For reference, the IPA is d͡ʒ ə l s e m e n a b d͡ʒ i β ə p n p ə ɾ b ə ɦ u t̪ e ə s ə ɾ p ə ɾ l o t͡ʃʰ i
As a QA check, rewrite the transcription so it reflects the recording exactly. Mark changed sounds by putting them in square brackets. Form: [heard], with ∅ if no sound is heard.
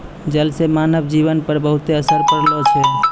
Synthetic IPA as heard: d͡ʒ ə l s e m [a] n [ə] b d͡ʒ i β ə [∅] n p ə ɾ b ə ɦ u t̪ e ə s ə ɾ p ə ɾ l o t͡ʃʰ [ɛ]